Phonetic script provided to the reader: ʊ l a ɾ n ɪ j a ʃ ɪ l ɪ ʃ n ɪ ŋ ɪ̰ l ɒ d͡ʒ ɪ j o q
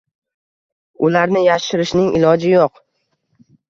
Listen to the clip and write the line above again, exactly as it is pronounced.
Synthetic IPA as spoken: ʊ l a ɾ n ɪ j a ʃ ɪ ɾ ɪ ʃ n ɪ ŋ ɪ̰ l ɒ d͡ʒ ɪ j o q